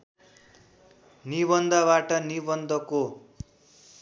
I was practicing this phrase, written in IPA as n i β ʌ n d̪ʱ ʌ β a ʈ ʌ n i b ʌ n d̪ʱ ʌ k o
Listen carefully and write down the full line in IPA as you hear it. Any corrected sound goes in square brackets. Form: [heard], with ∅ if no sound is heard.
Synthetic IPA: n i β ʌ n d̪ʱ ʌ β a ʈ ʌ n i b ʌ n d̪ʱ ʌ k o